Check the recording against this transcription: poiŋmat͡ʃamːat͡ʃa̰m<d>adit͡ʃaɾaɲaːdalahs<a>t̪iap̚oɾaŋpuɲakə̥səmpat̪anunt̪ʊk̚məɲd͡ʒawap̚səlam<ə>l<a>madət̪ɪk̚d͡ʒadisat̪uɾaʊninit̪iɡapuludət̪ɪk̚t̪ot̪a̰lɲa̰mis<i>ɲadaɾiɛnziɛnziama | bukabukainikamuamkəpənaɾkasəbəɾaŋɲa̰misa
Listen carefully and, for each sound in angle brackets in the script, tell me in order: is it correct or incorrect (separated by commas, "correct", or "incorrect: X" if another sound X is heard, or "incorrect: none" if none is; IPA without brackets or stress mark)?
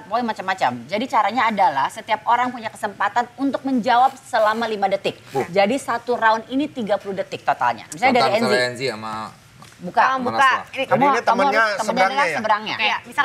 incorrect: d͡ʒ, incorrect: ə, incorrect: a, incorrect: i, incorrect: a